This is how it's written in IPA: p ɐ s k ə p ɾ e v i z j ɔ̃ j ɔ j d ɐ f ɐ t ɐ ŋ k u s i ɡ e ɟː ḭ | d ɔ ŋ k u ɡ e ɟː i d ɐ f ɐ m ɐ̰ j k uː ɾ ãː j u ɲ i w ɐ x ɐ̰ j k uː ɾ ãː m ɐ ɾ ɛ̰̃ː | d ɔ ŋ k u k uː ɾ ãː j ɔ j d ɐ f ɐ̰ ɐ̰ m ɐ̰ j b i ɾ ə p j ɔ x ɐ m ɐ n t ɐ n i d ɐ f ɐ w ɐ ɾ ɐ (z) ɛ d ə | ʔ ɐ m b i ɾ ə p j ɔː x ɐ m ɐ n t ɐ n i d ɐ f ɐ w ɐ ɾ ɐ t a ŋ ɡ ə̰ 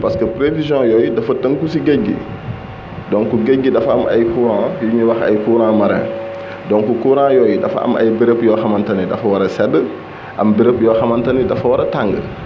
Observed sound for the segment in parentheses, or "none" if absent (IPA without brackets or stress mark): s